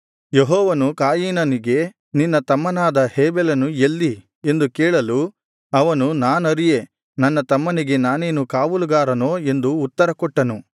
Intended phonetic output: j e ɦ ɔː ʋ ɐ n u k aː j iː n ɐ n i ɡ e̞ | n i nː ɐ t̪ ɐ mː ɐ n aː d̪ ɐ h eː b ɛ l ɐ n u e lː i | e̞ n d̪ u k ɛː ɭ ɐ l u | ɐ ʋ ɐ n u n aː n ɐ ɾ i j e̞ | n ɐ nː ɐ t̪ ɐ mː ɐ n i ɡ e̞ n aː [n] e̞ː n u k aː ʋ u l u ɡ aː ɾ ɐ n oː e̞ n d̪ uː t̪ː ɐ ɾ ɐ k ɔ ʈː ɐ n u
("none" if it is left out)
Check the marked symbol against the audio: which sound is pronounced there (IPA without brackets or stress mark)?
n